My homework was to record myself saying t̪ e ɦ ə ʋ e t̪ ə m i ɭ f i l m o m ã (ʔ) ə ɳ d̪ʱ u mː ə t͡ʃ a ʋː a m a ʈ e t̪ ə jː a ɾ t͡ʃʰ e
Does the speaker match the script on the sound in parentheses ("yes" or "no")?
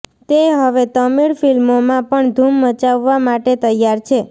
no